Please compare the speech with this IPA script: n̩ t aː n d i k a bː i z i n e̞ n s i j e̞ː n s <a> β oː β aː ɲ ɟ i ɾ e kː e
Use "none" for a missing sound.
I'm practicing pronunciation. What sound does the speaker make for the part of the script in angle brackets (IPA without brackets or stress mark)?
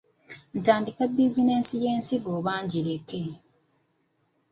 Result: i